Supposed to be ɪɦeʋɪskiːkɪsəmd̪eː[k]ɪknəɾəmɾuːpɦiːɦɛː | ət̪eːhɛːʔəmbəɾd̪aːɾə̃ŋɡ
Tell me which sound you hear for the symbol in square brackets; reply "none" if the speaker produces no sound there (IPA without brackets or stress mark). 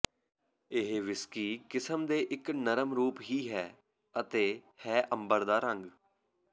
ʔ